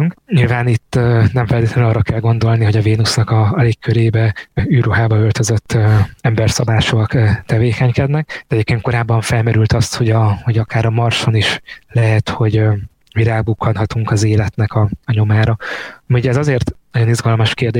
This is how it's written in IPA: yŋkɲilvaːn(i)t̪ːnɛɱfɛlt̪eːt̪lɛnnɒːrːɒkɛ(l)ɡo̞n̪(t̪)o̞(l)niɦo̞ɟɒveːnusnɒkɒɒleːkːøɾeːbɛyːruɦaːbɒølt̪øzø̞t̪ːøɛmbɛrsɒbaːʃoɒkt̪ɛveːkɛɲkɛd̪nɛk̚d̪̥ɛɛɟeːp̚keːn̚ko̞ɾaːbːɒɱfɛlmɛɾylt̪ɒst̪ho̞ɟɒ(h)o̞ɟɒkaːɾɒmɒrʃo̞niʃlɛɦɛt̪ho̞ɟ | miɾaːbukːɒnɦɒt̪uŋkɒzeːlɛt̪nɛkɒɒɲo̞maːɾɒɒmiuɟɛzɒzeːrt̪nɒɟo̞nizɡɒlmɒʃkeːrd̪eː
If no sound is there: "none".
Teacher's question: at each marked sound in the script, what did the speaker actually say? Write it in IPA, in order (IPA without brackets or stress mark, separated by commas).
i, l, d̪, l, h